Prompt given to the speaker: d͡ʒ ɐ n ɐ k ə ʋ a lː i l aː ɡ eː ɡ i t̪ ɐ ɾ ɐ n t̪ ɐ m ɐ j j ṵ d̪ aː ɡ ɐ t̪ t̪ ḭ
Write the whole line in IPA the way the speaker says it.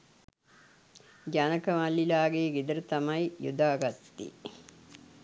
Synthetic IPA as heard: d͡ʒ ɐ n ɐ k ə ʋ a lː i l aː ɡ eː ɡ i d̪ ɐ ɾ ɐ t̪ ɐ m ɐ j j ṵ d̪ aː ɡ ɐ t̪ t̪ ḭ

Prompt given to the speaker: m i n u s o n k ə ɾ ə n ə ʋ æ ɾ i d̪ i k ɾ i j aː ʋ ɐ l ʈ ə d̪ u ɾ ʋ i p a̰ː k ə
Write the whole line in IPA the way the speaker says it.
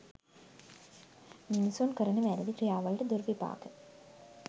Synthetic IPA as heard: m i n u s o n k ə ɾ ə n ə ʋ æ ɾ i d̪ i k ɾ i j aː ʋ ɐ l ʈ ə d̪ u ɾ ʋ i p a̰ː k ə

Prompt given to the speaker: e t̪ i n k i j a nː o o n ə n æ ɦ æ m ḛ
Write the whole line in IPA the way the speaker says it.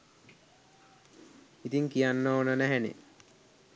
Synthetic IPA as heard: i t̪ i ŋ k i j a nː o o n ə n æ ɦ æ n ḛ

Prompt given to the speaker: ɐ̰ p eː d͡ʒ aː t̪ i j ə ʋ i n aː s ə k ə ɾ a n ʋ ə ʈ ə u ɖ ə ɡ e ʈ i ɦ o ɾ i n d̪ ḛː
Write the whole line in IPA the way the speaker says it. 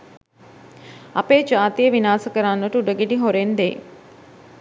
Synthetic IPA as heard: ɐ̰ p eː d͡ʒ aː t̪ i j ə ʋ i n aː s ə k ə ɾ a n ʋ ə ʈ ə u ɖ ə ɡ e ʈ i ɦ o ɾ e n d̪ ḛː

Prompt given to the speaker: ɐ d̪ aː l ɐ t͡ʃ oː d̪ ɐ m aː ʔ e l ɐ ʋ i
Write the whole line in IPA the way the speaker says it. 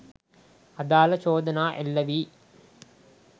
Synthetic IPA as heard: ɐ d̪ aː l ɐ t͡ʃ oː d̪ ɐ n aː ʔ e lː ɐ ʋ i

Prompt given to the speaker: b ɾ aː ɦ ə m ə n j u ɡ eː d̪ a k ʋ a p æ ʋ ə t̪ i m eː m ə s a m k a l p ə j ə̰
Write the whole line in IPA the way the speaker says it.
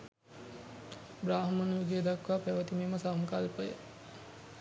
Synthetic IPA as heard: b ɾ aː ɦ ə m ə n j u ɡ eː d̪ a k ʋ a p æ ʋ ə t̪ i m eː m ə s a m k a l p ə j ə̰

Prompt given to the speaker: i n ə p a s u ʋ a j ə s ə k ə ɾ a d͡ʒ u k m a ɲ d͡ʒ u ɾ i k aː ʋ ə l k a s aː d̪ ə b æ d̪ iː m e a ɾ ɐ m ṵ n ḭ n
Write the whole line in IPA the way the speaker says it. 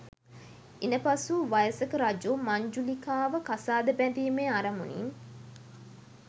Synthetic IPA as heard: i n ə p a s u ʋ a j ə s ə k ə ɾ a d͡ʒ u m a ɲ d͡ʒ u l i k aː ʋ ə k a s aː d̪ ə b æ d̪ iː m e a ɾ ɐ m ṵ n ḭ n

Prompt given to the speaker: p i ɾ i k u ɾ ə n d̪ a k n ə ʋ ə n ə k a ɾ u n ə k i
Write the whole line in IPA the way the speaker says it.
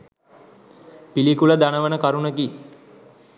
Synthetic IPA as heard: p i l i k u l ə d̪ a n ə ʋ ə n ə k a ɾ u n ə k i

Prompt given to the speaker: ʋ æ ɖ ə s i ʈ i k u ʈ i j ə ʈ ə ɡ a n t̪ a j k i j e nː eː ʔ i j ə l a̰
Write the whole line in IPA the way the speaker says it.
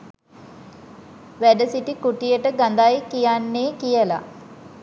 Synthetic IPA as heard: ʋ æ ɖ ə s i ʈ i k u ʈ i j ə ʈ ə ɡ a n d̪ a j k i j a nː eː k i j ə l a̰

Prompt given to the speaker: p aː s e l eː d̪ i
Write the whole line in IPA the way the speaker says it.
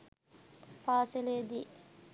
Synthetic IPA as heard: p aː s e l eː d̪ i

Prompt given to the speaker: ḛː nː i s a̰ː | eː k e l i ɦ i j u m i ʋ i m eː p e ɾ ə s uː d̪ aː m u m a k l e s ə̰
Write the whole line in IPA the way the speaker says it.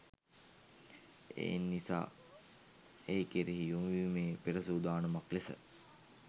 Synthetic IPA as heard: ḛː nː i s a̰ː | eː k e ɾ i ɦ i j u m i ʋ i m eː p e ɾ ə s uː d̪ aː n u m a k l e s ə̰

